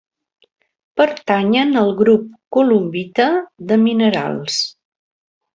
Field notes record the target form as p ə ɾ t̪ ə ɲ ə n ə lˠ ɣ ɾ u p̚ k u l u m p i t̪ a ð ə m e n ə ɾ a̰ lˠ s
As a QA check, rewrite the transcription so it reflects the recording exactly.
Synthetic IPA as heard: p ə ɾ t̪ a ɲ ə n ə lˠ ɣ ɾ u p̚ k u l u m b i t̪ ə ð ə m i n ə ɾ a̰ lˠ s